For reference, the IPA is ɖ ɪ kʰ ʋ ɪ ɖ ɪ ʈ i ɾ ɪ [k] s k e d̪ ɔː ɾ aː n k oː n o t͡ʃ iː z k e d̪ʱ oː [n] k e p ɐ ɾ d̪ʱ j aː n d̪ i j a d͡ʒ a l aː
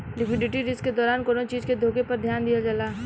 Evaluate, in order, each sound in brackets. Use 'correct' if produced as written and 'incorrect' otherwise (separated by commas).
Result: incorrect, incorrect